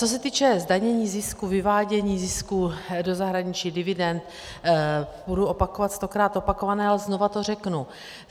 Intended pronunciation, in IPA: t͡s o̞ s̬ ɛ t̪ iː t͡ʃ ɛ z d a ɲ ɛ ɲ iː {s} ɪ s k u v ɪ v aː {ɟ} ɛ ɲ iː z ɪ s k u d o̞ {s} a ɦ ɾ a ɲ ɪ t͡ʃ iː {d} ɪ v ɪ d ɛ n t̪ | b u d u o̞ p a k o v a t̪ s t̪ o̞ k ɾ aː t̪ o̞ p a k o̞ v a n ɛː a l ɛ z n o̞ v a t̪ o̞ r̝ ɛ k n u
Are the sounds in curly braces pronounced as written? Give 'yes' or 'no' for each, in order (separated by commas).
no, yes, no, yes